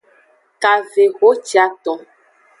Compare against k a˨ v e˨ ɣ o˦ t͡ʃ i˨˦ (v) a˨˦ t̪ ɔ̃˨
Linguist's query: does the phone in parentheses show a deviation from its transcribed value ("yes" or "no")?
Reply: yes